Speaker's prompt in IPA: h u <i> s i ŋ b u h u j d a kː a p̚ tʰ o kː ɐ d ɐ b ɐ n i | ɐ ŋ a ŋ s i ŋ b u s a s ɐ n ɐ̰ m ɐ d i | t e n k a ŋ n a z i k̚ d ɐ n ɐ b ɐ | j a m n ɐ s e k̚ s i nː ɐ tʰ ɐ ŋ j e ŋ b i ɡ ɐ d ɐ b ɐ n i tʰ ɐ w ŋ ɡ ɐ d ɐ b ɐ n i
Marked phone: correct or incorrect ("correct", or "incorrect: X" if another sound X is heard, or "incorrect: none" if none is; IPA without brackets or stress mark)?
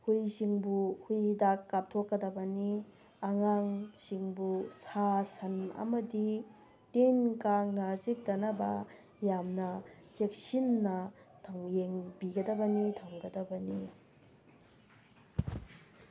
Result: incorrect: j